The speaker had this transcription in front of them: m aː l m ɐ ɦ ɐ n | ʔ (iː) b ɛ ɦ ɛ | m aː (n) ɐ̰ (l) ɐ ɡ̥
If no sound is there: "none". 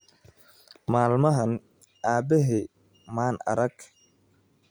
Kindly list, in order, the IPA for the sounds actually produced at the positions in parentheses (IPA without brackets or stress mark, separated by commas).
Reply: aː, n, ɾ